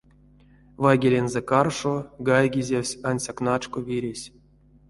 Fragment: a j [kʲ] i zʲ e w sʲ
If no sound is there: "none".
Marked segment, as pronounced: ɡʲ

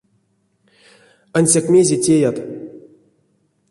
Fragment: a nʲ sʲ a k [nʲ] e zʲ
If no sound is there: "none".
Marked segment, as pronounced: mʲ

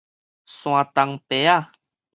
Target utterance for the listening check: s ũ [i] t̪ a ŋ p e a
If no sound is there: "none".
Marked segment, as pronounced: a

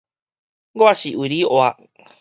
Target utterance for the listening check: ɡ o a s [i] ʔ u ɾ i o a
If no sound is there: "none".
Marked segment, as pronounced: i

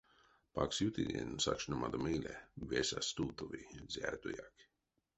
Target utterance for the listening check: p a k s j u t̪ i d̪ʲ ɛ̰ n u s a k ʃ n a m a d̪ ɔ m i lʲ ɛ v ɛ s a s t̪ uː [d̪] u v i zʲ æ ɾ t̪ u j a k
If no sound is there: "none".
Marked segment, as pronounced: t̪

